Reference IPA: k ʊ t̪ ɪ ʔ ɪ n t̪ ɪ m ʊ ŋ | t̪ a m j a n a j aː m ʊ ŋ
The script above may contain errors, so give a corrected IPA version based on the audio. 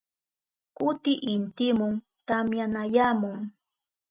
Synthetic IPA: k ʊ t̪ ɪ ʔ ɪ n t̪ ɪ m ʊ ŋ | t̪ a m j a n a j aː m ʊ ŋ